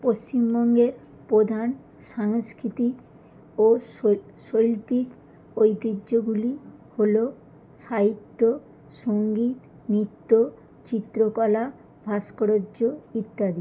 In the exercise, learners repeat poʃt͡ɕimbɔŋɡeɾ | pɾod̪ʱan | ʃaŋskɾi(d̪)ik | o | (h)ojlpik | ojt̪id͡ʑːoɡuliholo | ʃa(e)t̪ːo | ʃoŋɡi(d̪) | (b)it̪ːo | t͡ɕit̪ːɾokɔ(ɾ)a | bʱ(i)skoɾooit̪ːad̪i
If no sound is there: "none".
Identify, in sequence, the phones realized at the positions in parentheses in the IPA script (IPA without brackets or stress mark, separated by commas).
t̪, ʃ, i, t̪, m, l, a